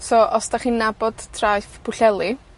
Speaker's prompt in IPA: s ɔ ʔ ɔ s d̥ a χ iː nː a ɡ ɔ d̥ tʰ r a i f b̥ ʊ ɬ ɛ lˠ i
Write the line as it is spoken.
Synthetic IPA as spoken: s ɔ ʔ ɔ s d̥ a χ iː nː a b ɔ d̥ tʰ r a j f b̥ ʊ ɬ ɛ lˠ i